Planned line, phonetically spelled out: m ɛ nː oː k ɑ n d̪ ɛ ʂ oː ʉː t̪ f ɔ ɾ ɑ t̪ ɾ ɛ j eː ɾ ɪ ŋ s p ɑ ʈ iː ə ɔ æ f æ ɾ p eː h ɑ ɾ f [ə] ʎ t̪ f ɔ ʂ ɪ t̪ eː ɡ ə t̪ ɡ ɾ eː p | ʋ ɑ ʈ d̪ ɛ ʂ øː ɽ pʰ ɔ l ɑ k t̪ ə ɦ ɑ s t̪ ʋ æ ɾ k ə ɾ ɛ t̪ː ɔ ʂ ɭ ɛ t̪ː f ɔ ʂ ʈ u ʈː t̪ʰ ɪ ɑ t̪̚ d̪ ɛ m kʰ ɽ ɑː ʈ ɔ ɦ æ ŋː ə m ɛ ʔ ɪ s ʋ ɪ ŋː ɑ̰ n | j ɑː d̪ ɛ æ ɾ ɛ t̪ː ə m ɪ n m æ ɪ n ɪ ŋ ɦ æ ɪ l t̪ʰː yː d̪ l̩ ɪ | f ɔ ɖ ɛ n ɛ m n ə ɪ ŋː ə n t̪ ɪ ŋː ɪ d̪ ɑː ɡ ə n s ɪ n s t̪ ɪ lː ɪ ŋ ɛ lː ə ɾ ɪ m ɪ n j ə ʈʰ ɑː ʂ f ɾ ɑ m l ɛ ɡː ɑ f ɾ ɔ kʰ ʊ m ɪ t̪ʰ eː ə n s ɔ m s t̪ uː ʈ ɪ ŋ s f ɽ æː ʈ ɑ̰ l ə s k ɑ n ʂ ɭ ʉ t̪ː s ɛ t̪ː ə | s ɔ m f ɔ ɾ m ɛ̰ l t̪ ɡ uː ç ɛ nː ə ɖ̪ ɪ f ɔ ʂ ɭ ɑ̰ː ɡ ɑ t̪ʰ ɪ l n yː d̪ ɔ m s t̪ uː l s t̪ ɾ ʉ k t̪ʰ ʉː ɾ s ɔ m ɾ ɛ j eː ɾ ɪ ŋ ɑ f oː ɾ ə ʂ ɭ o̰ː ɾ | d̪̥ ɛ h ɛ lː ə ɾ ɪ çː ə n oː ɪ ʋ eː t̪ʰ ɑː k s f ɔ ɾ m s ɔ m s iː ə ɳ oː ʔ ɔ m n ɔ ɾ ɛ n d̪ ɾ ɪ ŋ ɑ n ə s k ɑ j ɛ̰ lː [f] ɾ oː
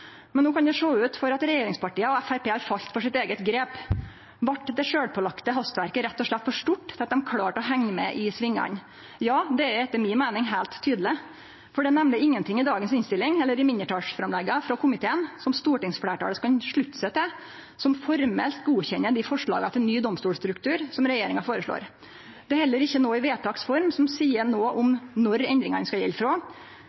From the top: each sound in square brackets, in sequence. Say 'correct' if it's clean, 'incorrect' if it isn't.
incorrect, correct

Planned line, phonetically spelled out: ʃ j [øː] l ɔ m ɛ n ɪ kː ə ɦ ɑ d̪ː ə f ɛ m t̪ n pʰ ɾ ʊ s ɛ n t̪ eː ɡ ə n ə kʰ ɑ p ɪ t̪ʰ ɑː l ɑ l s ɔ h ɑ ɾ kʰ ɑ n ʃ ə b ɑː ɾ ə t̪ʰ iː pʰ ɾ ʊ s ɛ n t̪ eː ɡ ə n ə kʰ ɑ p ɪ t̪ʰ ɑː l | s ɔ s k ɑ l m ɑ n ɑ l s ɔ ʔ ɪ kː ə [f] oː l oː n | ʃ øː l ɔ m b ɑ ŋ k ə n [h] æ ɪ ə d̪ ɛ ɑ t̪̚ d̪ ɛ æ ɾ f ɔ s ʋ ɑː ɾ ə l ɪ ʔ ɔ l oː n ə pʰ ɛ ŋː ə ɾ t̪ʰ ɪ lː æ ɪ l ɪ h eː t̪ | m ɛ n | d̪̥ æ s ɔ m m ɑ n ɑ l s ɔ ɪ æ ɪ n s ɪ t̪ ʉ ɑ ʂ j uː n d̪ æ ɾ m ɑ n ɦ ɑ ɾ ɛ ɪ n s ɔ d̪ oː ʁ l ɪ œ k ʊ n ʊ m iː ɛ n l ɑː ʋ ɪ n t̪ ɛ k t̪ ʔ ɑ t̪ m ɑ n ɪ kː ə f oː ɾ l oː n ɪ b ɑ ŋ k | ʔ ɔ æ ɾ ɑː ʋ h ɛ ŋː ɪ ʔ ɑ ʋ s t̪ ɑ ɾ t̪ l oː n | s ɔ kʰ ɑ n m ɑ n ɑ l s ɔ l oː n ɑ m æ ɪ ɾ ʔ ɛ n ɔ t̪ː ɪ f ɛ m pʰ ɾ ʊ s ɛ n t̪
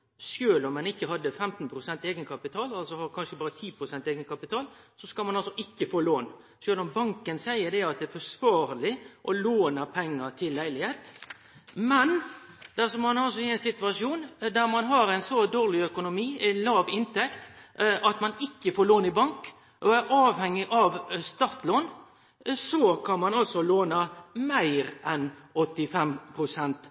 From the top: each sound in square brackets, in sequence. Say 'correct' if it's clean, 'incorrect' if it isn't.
correct, correct, incorrect

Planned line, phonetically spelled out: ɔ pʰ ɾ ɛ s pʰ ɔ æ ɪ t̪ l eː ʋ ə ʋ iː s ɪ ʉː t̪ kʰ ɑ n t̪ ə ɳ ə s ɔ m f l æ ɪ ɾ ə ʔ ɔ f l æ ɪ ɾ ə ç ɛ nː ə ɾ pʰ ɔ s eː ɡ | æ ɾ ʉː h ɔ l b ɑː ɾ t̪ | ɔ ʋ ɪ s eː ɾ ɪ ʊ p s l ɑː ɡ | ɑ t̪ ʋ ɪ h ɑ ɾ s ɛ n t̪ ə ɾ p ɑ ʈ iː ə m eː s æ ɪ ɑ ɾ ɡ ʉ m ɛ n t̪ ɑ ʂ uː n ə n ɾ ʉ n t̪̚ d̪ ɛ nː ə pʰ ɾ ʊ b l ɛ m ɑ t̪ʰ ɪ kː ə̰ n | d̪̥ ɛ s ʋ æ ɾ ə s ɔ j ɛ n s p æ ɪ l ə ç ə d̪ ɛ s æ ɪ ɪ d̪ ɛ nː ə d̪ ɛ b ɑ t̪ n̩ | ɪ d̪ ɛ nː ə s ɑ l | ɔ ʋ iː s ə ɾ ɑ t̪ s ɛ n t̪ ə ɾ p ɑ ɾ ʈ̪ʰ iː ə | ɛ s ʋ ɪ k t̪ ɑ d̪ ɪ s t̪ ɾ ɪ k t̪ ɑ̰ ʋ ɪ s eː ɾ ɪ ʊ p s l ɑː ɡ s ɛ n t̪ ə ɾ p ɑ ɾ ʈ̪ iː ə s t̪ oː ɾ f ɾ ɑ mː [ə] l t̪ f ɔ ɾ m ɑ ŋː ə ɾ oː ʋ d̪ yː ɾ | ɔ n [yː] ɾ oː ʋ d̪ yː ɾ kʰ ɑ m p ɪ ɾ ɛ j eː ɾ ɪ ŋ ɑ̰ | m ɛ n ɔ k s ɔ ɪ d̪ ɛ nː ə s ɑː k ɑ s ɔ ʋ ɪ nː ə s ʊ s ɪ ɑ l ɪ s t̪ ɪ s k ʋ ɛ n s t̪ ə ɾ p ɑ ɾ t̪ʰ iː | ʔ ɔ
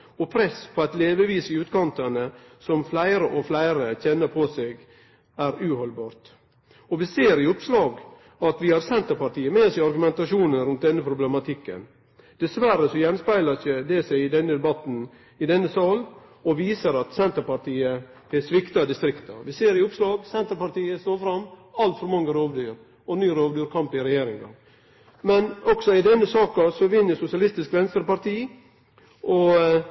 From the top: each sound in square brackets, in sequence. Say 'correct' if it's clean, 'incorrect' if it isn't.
incorrect, correct

